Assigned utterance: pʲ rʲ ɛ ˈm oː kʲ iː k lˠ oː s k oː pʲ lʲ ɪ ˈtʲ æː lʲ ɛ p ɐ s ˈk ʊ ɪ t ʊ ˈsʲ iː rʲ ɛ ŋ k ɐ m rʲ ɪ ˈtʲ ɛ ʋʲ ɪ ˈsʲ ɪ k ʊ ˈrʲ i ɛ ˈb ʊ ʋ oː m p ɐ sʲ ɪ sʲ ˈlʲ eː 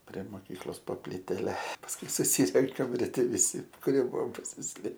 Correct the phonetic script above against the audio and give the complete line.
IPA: pʲ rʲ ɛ ˈm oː kʲ iː k lˠ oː s p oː pʲ lʲ ɪ ˈtʲ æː lʲ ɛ p ɐ s ˈk ʊ ɪ s ʊ ˈsʲ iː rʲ ɛ ŋ k ɐ m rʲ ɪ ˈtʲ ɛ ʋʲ ɪ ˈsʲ ɪ k ʊ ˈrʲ i ɛ ˈb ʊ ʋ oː m p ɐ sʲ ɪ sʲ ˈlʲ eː